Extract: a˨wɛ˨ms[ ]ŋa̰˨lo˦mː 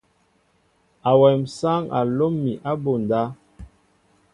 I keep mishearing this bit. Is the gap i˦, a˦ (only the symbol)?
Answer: a˦